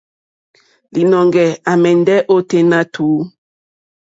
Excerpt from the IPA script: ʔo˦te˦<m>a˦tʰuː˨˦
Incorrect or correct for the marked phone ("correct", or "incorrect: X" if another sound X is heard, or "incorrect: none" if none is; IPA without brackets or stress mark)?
incorrect: n